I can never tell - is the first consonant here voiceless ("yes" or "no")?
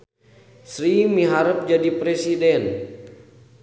yes